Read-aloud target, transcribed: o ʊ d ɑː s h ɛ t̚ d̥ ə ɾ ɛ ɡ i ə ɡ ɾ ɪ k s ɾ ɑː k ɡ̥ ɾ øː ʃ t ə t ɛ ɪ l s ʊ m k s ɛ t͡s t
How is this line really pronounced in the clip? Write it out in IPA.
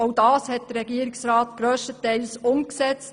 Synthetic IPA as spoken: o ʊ d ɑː s h ɛ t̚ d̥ ə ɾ ɛ ɡ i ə ɾ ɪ k s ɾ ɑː t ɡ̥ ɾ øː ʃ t ə t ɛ ɪ l s ʊ m k s ɛ t͡s t